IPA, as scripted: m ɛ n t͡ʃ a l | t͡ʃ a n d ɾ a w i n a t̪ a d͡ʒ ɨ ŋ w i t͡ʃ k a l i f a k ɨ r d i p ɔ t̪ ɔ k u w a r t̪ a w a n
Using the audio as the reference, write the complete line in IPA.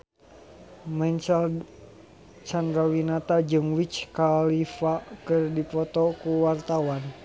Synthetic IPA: m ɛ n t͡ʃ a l | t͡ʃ a n d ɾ a w i n a t̪ a d͡ʒ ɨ ŋ w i t͡ʃ k a l i f a k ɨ r d i p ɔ t̪ ɔ k u w a r t̪ a w a n